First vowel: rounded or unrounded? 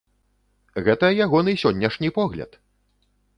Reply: unrounded